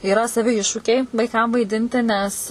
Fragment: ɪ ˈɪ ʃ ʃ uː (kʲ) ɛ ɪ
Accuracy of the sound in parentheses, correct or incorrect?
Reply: correct